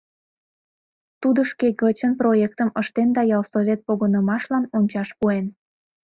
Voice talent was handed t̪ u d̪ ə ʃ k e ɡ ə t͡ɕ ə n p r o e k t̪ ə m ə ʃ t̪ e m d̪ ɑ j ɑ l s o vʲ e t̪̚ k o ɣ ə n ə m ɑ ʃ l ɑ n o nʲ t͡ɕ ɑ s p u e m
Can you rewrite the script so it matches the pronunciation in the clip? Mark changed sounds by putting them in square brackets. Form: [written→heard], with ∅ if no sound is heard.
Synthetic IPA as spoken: t̪ u d̪ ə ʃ k e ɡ ə t͡ɕ ə n p r o e k t̪ ə m ə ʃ t̪ e [m→n] d̪ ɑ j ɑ l s o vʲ e t̪̚ [k→p] o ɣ ə n ə m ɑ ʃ l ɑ n o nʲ t͡ɕ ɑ [s→ʃ] p u e [m→n]